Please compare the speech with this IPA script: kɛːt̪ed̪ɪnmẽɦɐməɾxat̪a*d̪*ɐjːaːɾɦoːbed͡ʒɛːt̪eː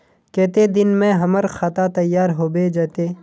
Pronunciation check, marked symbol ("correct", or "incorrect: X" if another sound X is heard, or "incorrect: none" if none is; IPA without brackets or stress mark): incorrect: t̪